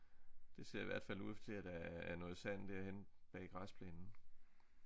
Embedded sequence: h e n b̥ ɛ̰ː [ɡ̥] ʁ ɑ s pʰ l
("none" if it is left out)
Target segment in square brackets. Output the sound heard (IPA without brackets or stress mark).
ɡ̥